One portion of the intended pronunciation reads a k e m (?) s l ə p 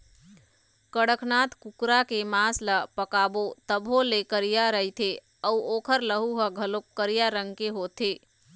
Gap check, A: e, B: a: B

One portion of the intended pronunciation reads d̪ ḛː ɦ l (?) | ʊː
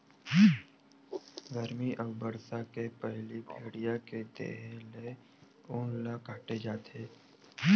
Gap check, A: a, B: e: B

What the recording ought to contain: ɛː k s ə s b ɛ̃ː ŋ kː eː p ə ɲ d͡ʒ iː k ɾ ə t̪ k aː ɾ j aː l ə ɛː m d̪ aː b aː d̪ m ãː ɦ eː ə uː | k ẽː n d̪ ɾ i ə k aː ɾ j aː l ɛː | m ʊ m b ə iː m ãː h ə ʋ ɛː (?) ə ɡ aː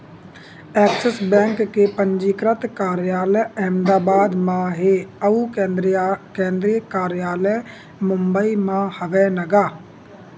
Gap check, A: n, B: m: A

